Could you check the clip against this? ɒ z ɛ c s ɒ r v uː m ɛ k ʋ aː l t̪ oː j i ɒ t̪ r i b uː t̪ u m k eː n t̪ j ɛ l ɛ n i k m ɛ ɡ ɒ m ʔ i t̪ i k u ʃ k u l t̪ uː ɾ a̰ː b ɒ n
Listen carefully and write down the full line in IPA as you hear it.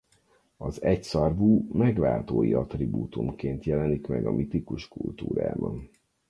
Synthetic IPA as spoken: ɒ z ɛ c s ɒ r v uː m ɛ ɡ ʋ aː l t̪ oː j i ɒ t̪ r i b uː t̪ u m k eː n t̪ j ɛ l ɛ n i k m ɛ ɡ ɒ m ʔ i t̪ i k u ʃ k u l t̪ uː ɾ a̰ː b ɒ n